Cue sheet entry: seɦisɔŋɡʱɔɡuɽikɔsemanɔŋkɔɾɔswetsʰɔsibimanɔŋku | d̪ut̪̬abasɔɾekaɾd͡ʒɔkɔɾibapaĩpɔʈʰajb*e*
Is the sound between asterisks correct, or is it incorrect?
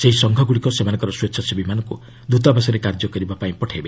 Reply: correct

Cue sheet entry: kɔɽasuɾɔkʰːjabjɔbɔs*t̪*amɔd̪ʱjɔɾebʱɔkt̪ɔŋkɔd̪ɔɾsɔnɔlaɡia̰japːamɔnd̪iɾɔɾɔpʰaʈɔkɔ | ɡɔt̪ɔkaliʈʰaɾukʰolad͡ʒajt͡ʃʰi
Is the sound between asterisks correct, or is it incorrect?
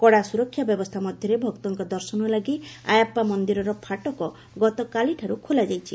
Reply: incorrect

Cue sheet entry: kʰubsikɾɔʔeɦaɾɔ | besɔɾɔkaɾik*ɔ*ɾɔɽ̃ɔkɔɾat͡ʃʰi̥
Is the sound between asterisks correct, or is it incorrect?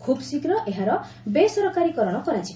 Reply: correct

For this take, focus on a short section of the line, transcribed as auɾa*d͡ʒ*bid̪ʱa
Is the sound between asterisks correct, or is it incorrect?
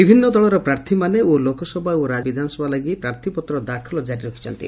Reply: correct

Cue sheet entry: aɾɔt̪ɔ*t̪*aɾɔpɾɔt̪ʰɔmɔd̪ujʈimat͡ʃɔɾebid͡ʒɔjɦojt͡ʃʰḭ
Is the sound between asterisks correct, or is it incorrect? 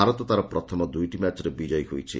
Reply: correct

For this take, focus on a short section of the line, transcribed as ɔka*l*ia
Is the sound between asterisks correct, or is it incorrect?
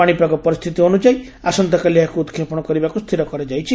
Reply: correct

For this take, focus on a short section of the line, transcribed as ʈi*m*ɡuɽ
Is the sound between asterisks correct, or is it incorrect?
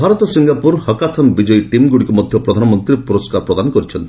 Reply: correct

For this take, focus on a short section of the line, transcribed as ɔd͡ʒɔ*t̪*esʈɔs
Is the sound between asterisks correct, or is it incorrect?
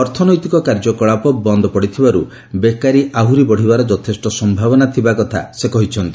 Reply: incorrect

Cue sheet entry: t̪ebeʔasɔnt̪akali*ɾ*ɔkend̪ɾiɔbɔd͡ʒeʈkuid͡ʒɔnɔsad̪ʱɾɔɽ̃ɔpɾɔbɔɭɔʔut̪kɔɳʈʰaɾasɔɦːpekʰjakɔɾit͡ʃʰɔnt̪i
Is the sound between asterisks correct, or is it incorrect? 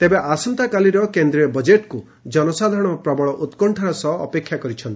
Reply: correct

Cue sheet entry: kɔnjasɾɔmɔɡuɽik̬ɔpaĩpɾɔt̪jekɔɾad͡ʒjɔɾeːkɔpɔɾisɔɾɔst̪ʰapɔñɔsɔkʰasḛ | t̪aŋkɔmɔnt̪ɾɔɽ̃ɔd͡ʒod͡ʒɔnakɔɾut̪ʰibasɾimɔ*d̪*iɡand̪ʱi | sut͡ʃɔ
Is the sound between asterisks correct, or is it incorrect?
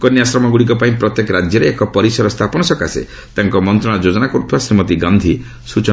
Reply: incorrect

